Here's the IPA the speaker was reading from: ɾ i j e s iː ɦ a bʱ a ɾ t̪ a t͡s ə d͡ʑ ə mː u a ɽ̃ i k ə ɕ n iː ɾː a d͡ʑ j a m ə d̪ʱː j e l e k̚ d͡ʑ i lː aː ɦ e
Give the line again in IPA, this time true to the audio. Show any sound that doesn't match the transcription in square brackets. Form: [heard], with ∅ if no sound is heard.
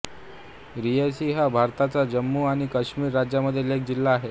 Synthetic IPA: ɾ i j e s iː ɦ a bʱ a ɾ t̪ a t͡s [a] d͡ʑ ə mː u a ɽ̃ i k ə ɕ [m] iː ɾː a d͡ʑ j a m ə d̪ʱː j e l e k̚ d͡ʑ i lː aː ɦ e